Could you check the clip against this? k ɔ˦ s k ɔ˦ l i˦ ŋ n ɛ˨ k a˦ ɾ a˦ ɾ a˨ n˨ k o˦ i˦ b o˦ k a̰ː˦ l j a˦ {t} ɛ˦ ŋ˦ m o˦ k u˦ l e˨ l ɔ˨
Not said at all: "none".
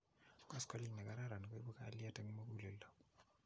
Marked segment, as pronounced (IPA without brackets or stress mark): t